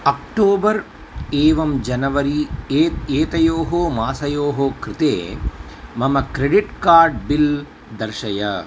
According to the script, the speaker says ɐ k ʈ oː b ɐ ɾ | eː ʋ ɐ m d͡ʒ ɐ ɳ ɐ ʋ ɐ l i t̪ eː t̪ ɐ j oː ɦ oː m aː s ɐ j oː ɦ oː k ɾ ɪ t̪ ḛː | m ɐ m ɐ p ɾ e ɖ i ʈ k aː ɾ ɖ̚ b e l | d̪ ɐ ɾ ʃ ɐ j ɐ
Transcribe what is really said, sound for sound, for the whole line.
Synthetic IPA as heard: ɐ k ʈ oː b ɐ ɾ | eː ʋ ɐ m d͡ʒ ɐ n ɐ ʋ ɐ ɾ i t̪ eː t̪ ɐ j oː ɦ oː m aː s ɐ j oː ɦ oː k ɾ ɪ t̪ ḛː | m ɐ m ɐ k ɾ e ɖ i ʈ k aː ɾ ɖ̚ b i l | d̪ ɐ ɾ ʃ ɐ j ɐ